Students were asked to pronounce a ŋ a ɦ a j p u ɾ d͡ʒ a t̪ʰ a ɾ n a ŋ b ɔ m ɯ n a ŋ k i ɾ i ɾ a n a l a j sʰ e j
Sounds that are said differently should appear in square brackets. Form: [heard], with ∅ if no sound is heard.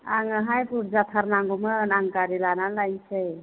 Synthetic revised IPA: a ŋ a ɦ a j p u ɾ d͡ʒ a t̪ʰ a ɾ n a ŋ [ɡ] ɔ m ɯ n a ŋ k [a] ɾ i [l] a n a l a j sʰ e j